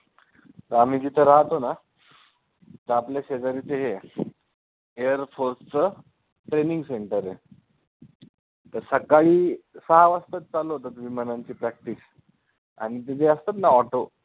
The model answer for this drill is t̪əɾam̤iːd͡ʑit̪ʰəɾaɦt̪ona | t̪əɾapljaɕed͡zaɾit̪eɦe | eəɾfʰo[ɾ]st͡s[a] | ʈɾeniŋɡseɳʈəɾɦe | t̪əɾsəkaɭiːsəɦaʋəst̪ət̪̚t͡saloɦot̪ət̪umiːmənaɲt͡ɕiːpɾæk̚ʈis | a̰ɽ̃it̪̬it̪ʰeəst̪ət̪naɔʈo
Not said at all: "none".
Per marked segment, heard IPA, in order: ɾ, ə

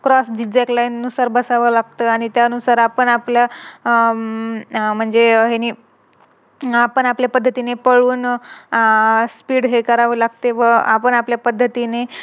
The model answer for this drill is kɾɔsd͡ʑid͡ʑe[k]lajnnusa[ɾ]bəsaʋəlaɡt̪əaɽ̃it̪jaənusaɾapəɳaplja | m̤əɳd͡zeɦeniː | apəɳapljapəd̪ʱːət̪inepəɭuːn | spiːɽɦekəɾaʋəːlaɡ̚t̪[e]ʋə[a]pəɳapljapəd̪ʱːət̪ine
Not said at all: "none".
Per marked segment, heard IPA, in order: k, ɾ, e, a

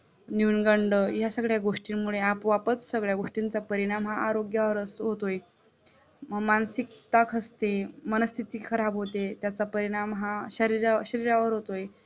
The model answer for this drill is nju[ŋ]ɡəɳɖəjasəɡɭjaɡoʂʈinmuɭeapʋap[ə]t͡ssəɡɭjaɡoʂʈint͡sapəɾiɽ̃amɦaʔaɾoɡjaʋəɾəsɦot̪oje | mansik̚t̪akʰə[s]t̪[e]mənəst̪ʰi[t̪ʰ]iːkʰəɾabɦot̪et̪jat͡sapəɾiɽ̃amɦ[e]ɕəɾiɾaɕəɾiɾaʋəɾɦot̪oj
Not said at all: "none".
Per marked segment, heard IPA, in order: n, ə, s, e, t̪, a

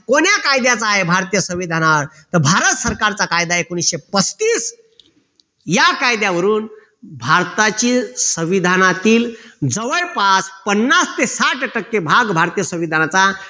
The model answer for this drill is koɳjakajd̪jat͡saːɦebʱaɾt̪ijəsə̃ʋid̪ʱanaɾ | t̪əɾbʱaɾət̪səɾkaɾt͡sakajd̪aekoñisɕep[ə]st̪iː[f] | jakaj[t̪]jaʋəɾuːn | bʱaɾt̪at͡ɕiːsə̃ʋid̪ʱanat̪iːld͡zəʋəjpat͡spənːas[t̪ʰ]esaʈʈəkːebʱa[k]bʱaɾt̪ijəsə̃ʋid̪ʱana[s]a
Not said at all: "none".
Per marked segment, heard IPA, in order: ə, s, d̪, t̪, ɡ, t͡s

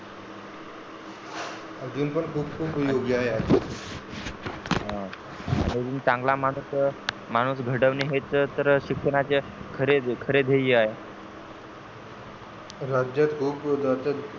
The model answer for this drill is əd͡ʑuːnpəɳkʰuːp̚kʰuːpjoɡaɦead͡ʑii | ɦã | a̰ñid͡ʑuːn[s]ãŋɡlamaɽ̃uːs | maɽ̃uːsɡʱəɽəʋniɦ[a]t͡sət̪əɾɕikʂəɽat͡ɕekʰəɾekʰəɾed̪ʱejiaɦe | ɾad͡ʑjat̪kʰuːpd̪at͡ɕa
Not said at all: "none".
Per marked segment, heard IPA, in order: t͡s, e

